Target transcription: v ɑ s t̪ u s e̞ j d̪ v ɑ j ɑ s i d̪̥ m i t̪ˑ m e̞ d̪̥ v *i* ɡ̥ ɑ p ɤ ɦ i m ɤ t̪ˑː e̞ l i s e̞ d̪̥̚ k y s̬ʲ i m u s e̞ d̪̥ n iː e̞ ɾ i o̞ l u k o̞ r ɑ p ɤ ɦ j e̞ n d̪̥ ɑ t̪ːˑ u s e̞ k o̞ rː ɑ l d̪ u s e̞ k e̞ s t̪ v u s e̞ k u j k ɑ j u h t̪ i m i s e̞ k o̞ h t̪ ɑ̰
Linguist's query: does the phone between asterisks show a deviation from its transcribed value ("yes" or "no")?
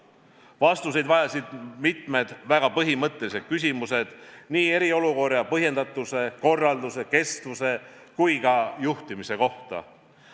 yes